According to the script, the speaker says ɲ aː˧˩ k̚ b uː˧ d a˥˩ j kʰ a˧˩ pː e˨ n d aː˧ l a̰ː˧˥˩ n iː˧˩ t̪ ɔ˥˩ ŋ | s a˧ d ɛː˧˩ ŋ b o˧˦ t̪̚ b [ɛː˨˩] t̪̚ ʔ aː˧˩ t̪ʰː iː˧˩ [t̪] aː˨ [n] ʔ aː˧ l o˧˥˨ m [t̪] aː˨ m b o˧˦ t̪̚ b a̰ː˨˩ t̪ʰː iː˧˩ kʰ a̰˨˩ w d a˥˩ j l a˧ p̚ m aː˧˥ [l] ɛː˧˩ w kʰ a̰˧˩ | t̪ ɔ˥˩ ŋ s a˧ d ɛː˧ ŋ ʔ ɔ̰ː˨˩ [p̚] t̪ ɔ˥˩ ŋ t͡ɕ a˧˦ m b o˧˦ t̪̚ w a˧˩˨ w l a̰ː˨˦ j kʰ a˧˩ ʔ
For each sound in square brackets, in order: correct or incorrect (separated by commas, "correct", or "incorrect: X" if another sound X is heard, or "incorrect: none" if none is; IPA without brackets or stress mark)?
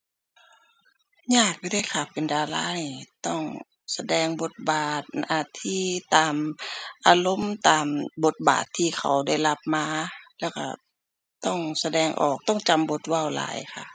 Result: incorrect: aː˨˩, correct, incorrect: m, correct, correct, incorrect: k̚